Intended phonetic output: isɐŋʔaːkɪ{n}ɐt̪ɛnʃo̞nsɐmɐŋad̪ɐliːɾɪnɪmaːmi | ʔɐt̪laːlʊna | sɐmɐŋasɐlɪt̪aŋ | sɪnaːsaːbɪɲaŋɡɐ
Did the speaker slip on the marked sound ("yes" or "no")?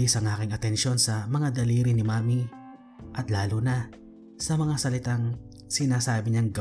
yes